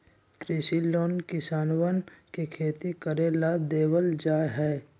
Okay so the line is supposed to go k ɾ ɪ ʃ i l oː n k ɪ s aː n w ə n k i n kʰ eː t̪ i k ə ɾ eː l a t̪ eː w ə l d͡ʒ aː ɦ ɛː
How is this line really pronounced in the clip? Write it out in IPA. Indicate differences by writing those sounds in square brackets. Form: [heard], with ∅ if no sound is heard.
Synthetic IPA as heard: k ɾ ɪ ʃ i l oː n k ɪ s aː n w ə n k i [∅] kʰ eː t̪ i k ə ɾ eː l a [d̪] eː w ə l d͡ʒ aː ɦ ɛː